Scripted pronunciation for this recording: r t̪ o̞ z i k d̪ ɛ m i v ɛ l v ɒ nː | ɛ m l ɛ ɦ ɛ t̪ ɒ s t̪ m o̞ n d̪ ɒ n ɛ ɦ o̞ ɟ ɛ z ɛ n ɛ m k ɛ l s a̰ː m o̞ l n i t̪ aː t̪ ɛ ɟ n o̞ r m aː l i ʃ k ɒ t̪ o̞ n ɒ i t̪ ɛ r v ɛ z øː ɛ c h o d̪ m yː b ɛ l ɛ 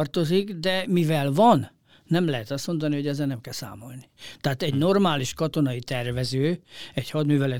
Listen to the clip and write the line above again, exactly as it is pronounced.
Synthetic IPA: r t̪ o̞ z i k d̪ ɛ m i v ɛ l v ɒ nː | ɛ m l ɛ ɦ ɛ t̪ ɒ s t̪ m o̞ n d̪ ɒ n i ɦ o̞ ɟ ɛ z ɛ n ɛ m k ɛ l s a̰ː m o̞ l n i t̪ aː t̪ ɛ ɟ n o̞ r m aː l i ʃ k ɒ t̪ o̞ n ɒ i t̪ ɛ r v ɛ z øː ɛ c h ɒ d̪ m yː v ɛ l ɛ